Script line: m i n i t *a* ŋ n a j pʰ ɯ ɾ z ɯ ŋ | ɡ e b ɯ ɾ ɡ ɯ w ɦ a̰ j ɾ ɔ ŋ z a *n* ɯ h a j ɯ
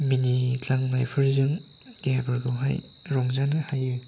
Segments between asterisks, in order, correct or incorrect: correct, correct

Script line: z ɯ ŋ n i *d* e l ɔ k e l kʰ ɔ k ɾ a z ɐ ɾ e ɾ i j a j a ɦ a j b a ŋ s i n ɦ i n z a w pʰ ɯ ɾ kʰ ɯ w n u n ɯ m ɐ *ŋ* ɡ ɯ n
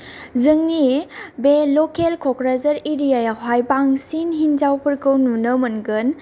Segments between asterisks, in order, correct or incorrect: incorrect: b, incorrect: n

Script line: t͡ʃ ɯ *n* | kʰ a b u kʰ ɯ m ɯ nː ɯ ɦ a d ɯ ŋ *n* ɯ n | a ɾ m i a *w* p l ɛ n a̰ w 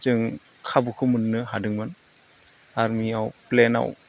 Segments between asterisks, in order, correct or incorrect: incorrect: ŋ, incorrect: m, correct

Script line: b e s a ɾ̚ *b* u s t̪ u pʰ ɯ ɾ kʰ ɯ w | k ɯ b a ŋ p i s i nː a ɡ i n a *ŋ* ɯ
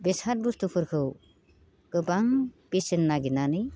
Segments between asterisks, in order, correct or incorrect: correct, incorrect: n

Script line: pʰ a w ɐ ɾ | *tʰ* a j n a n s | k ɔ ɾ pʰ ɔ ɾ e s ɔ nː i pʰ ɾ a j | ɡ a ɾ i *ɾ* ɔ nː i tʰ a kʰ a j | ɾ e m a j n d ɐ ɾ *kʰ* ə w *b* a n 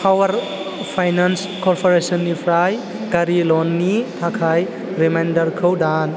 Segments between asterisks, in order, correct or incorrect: incorrect: pʰ, incorrect: l, correct, incorrect: d

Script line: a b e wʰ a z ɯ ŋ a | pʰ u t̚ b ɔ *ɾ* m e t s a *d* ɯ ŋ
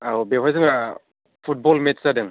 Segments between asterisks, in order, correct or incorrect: incorrect: l, correct

